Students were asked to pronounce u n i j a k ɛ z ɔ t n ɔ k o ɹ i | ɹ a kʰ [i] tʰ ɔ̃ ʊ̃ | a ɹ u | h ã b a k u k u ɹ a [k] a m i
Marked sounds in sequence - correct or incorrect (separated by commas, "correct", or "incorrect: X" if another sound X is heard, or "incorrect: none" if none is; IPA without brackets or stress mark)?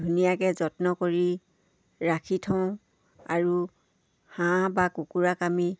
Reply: correct, correct